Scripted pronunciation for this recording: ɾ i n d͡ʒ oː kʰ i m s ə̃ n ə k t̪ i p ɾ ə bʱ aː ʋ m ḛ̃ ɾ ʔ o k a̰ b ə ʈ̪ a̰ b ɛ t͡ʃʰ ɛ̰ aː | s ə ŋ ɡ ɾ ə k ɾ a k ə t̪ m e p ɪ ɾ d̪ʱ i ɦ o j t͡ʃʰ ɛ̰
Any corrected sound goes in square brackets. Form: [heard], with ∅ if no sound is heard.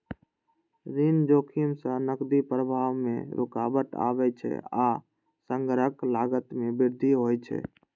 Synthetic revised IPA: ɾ i n d͡ʒ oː kʰ i m s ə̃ n ə k [d̪] i p ɾ ə bʱ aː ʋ m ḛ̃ ɾ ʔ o k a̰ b ə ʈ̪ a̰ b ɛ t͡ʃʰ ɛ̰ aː | s ə ŋ ɡ ɾ ə k [l] a [ɡ] ə t̪ m e [b] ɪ ɾ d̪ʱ i ɦ o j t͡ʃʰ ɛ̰